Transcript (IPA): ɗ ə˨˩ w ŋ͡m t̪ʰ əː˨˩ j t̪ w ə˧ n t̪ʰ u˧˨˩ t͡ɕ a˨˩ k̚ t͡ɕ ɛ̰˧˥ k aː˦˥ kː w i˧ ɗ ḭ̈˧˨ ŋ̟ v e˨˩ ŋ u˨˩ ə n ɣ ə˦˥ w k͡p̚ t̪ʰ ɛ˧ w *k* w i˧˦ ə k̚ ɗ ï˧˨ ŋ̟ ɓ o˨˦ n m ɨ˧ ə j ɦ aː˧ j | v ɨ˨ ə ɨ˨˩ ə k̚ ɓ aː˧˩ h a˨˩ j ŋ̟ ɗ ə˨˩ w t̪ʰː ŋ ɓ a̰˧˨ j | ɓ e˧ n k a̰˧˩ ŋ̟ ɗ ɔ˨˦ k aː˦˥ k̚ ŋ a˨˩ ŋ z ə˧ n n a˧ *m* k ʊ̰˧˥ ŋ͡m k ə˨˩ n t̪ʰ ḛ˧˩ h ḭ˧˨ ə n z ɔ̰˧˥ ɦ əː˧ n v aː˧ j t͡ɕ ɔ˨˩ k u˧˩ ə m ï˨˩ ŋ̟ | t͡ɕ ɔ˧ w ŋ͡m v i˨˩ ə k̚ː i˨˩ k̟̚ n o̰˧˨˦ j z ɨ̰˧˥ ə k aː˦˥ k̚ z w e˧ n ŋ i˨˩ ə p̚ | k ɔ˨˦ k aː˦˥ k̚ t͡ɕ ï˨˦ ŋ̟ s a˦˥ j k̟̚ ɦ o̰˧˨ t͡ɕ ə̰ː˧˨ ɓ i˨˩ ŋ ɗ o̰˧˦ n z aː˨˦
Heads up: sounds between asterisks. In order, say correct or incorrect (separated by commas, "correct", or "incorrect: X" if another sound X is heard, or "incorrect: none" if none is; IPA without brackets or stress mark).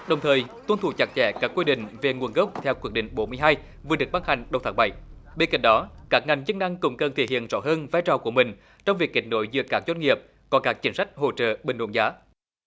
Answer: correct, incorrect: ŋ